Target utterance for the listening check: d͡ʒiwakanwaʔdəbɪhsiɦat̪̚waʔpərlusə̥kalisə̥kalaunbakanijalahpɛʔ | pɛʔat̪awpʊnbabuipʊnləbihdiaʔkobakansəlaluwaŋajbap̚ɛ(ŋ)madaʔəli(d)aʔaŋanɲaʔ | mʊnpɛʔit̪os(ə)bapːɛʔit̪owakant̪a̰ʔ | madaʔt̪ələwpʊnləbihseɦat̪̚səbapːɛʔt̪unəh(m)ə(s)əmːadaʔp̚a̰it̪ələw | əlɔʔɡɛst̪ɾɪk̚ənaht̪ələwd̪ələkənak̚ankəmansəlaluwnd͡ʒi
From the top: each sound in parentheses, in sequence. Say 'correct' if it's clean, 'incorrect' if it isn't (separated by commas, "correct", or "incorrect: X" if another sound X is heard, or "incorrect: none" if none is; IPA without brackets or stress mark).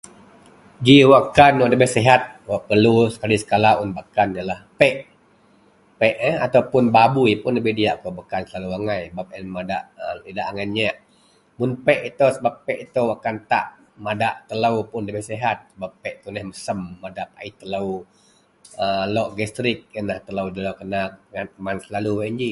incorrect: n, correct, correct, correct, correct